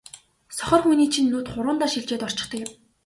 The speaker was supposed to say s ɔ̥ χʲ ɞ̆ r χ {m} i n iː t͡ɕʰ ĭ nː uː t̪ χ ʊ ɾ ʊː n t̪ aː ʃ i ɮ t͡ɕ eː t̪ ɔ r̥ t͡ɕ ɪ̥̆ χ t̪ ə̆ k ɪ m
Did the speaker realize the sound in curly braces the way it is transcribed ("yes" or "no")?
yes